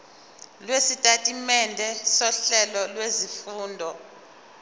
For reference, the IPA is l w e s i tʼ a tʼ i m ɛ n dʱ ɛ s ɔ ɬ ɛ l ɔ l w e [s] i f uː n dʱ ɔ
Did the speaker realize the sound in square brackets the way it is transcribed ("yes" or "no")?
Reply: no